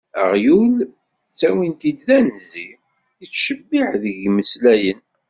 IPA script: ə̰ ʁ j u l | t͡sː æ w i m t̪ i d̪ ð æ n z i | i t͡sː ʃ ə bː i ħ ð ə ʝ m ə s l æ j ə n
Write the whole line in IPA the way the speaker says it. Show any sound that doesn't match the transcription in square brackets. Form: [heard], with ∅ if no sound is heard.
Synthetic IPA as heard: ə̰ ʁ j u l | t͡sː æ w i [n] t̪ i d̪ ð æ n z i | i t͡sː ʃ ə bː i ħ ð ə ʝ m ə s l æ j ə n